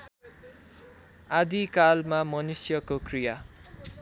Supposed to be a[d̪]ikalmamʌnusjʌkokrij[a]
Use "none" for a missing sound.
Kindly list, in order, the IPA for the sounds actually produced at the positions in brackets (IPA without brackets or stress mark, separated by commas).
d̪, a